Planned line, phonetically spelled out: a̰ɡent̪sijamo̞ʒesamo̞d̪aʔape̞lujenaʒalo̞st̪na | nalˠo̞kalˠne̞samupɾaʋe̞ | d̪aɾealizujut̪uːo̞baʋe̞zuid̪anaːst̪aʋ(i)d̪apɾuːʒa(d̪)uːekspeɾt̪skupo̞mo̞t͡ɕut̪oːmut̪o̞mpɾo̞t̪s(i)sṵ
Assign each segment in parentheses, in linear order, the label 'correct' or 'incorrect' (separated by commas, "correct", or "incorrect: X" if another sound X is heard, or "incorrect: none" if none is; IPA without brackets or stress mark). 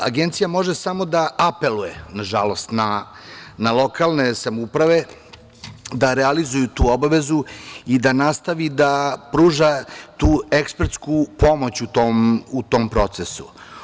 correct, incorrect: t̪, incorrect: e